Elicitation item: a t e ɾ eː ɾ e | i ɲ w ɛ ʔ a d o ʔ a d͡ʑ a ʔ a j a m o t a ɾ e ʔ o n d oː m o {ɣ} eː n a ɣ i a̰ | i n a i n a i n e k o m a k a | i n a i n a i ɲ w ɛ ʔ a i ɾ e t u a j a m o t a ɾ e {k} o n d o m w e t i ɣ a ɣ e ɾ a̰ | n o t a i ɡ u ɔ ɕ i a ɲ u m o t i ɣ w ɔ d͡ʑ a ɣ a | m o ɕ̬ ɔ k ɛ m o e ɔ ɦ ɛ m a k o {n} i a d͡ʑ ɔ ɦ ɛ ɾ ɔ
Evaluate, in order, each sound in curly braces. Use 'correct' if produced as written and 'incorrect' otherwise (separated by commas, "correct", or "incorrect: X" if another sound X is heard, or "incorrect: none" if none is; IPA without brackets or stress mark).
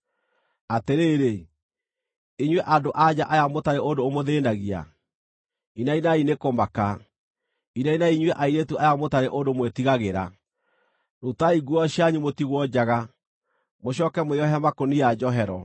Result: incorrect: ð, incorrect: ʔ, correct